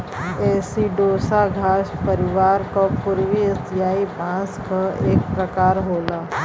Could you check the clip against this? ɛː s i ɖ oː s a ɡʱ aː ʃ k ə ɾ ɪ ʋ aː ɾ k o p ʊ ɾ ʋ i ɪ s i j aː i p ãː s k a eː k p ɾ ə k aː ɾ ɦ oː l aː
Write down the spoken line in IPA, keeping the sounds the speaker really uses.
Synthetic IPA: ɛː s i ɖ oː s a ɡʱ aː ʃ p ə ɾ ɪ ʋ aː ɾ k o p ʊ ɾ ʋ i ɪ s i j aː i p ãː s k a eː k p ɾ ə k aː ɾ ɦ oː l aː